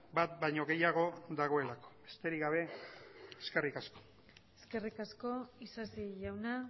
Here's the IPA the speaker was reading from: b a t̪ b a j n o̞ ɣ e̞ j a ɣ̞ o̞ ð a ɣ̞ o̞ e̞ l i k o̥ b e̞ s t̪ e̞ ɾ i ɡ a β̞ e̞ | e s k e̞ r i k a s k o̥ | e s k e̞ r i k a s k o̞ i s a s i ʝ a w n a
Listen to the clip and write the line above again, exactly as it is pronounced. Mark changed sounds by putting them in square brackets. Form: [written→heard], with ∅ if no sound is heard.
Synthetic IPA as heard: b a t̪ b a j [n→ɲ] o̞ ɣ e̞ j a ɣ̞ o̞ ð a ɣ̞ o̞ e̞ l [i→a] k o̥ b e̞ s t̪ e̞ ɾ i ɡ a β̞ e̞ | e s k e̞ r i k a s k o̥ | e s k e̞ r i k a s k o̞ i s a s i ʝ a w n a